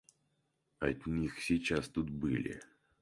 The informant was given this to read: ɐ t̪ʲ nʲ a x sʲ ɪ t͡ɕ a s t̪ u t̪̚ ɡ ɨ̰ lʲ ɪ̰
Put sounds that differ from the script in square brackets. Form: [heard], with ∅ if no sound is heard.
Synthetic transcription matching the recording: ɐ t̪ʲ nʲ [i] x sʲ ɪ t͡ɕ a s t̪ u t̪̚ [b] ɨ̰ lʲ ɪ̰